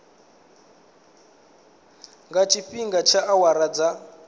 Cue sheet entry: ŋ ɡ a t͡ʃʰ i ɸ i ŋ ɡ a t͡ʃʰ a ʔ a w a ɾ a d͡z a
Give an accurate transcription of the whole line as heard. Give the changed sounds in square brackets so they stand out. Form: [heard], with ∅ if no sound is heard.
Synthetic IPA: ŋ ɡ a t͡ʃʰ i ɸ i ŋ ɡ a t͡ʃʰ a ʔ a w a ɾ a d͡z a